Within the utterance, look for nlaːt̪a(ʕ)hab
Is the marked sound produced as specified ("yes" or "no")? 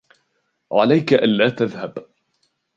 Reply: no